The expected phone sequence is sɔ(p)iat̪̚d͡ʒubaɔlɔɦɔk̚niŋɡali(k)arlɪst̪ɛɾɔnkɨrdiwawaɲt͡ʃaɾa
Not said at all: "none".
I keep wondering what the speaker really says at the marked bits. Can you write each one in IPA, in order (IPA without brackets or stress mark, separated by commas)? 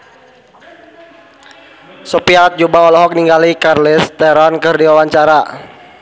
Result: p, k